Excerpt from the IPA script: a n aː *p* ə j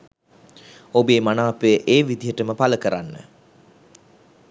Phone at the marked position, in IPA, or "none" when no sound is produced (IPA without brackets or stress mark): p